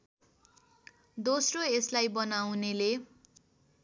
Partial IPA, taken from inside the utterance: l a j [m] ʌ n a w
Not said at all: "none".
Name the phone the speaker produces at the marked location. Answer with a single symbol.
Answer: b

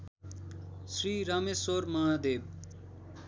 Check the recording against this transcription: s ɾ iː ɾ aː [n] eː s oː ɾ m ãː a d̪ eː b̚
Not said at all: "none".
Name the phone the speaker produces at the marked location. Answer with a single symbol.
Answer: m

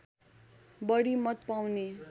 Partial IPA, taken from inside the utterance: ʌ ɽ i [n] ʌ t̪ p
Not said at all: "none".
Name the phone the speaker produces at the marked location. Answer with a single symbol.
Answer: m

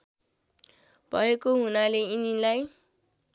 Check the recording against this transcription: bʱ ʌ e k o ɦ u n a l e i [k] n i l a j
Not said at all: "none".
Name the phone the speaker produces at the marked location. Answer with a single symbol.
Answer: none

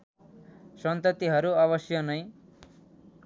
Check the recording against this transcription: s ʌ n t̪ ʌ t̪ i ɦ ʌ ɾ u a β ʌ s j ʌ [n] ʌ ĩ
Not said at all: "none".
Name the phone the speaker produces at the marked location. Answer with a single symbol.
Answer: n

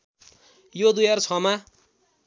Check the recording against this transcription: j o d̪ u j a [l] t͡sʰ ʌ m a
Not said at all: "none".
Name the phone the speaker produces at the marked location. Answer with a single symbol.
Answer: r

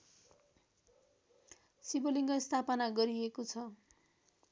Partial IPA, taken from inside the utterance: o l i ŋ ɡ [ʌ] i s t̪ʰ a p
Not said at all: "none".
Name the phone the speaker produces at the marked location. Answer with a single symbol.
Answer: ʌ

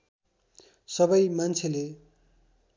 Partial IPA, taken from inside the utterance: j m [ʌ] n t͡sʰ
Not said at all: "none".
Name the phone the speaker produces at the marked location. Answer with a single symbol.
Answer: a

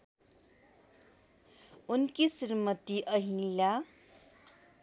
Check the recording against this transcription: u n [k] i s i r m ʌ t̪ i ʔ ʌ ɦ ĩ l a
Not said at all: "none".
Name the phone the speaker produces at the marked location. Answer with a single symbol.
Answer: k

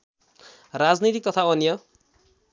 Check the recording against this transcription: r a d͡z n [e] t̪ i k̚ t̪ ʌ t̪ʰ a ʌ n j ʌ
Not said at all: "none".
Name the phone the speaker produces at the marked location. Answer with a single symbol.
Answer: i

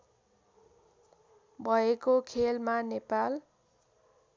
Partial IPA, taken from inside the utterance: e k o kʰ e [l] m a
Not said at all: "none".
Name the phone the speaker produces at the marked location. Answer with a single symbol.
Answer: l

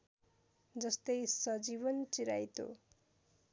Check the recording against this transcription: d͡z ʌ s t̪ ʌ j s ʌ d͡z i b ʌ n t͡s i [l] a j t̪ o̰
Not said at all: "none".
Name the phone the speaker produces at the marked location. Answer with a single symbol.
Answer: ɾ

